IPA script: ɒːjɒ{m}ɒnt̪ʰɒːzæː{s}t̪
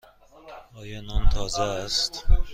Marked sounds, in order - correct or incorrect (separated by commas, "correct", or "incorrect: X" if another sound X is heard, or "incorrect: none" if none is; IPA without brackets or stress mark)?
incorrect: n, correct